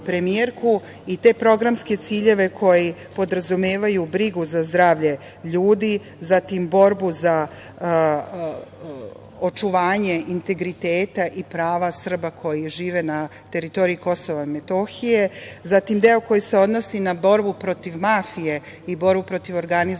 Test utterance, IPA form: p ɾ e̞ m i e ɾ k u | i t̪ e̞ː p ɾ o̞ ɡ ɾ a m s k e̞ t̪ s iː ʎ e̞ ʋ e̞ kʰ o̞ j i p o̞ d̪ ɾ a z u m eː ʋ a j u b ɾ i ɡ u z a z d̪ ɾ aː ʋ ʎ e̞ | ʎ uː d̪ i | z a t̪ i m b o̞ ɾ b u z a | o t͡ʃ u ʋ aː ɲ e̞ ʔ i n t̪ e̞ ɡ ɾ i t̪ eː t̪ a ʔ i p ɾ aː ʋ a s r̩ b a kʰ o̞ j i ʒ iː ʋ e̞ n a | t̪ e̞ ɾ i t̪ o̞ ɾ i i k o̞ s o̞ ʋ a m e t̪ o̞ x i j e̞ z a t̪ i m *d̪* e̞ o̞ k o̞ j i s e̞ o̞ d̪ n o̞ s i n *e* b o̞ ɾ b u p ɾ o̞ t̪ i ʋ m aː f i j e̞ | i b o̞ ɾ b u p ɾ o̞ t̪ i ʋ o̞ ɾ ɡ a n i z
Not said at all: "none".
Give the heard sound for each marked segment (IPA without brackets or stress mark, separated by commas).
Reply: d̪, a